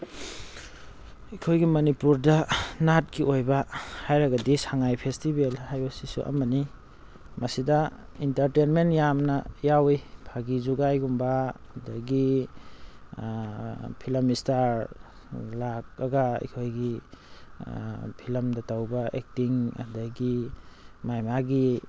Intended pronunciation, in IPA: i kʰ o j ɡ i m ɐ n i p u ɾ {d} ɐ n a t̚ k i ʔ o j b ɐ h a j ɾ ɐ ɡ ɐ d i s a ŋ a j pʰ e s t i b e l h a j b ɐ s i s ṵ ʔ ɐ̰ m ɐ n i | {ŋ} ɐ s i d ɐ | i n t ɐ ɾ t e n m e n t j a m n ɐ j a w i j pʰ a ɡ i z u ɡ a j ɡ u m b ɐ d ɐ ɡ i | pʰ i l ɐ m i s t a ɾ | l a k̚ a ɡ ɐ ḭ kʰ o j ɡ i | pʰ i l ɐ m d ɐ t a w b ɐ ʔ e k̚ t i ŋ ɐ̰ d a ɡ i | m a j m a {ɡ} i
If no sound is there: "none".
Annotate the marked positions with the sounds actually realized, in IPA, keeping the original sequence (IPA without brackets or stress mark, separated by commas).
d, m, ɡ